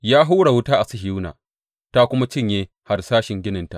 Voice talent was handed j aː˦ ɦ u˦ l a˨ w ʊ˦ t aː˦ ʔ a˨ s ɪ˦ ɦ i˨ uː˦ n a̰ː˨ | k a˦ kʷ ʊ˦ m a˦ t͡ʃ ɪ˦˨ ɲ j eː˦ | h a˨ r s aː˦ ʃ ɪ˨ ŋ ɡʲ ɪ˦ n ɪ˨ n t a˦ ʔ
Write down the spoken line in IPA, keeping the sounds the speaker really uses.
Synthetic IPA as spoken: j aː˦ ɦ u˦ ɽ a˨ w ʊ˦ t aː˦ ʔ a˨ s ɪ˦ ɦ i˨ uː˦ n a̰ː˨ | t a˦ kʷ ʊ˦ m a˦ t͡ʃ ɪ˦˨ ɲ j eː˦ | h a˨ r s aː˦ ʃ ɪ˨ ŋ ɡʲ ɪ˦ n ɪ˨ n t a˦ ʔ